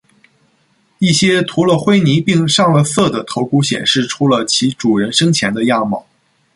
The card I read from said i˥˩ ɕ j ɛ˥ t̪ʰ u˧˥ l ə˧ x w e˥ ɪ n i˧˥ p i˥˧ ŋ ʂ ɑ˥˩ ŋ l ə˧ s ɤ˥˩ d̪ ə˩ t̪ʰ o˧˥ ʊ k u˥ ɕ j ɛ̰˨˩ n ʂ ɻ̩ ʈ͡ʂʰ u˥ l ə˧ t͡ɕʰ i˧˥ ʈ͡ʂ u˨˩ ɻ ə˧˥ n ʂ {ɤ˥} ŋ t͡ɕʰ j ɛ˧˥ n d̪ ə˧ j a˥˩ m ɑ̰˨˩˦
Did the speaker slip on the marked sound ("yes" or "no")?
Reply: no